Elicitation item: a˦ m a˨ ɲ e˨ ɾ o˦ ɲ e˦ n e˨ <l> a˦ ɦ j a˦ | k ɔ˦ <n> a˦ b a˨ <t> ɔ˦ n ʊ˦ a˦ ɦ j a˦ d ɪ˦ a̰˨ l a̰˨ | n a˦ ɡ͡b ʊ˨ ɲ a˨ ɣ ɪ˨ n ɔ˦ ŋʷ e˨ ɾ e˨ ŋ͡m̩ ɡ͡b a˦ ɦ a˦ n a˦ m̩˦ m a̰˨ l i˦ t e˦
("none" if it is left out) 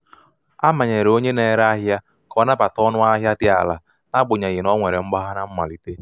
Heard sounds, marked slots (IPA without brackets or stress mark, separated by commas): ɾ, n, t